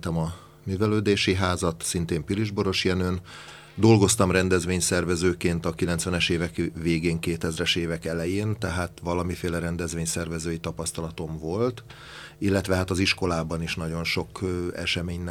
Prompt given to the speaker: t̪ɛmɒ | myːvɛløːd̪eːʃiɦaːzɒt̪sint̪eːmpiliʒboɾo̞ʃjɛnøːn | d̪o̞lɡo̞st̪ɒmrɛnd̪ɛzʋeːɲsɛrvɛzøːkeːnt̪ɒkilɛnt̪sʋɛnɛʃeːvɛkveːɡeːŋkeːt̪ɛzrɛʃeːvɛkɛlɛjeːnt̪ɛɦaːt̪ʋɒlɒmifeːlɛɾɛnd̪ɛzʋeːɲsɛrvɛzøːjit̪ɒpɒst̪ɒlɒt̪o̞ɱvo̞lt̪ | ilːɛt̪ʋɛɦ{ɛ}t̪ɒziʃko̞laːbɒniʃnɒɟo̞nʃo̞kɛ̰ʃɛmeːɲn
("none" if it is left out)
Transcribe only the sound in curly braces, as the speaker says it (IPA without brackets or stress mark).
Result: a